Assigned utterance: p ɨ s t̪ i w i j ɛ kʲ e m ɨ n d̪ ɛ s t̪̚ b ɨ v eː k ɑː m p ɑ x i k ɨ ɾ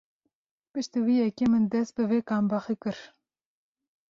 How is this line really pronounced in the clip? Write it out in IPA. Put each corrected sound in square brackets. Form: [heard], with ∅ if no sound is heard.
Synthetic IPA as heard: p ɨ [ʃ] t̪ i w i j ɛ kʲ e m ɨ n d̪ ɛ s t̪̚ b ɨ v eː k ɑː m [b] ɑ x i k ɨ ɾ